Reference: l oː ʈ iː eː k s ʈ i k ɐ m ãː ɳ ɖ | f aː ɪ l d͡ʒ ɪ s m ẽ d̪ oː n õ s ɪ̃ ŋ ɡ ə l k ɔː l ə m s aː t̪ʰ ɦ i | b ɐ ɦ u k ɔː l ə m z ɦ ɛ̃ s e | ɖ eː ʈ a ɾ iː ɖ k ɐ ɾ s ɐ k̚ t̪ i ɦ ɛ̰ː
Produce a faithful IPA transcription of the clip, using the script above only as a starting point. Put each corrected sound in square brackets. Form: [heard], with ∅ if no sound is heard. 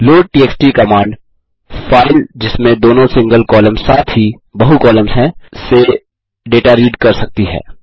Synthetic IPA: l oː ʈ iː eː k s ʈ i k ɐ m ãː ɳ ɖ | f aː ɪ l d͡ʒ ɪ s m ẽ d̪ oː n õ s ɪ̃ ŋ ɡ ə l k ɔː l ə m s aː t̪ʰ ɦ i | b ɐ ɦ u k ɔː l ə m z ɦ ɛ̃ s e | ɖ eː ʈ a ɾ iː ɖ k ɐ ɾ s ɐ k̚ t̪ i ɦ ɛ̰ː